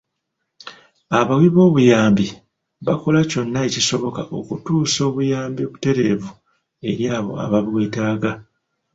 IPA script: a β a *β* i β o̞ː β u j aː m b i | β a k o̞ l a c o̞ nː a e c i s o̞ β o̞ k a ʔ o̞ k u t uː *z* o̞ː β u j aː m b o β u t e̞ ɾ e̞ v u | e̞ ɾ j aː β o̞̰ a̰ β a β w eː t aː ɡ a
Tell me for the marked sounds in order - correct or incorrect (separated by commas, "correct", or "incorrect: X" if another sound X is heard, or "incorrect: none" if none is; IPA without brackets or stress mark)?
incorrect: w, incorrect: s